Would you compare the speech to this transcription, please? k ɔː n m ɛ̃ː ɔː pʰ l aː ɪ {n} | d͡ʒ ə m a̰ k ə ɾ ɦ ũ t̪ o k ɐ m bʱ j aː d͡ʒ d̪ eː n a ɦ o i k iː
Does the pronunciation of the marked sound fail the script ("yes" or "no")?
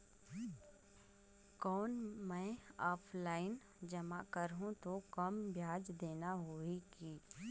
no